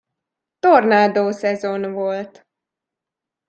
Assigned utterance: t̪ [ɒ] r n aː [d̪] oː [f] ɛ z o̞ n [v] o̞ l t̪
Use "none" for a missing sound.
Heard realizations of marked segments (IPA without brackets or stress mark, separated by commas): o, d̪, s, v